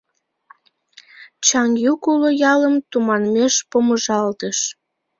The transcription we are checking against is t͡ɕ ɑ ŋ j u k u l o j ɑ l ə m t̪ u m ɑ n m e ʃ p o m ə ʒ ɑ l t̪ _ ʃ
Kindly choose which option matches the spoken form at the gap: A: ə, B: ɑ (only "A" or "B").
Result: A